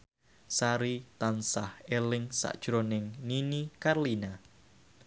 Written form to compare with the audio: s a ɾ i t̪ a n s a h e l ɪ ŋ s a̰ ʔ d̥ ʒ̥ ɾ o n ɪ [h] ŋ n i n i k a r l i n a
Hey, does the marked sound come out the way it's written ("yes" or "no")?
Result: no